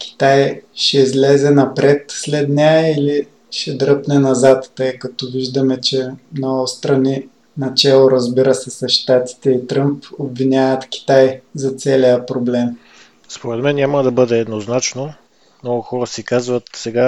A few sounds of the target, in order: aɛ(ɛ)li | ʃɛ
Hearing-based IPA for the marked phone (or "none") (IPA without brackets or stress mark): i